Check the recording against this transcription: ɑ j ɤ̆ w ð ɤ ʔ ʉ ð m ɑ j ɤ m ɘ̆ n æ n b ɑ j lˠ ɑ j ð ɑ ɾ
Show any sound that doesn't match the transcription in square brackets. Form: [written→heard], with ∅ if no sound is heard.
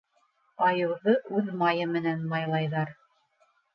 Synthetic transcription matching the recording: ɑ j ɤ̆ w ð ɤ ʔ ʉ ð m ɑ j ɤ m ɘ̆ n æ n [b→m] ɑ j lˠ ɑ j ð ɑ ɾ